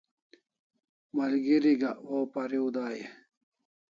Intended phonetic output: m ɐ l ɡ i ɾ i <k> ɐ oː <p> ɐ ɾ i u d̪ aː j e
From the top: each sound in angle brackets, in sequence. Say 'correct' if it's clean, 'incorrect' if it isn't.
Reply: incorrect: ɡ, correct

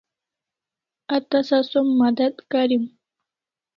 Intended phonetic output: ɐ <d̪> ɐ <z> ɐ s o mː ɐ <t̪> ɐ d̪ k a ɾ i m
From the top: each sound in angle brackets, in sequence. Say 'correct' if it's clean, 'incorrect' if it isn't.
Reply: incorrect: t̪, incorrect: s, incorrect: d̪

